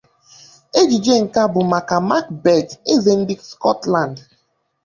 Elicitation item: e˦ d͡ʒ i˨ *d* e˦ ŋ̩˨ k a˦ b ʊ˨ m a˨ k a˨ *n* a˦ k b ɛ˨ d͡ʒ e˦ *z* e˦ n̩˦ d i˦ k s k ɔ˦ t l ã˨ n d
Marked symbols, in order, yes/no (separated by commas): no, no, yes